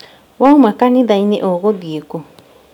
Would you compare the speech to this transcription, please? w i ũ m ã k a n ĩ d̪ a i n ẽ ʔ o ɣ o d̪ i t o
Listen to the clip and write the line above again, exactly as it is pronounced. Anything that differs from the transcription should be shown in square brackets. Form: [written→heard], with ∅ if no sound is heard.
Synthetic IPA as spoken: w [i→a] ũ m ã k a n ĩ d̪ a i n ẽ ʔ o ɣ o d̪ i [t→k] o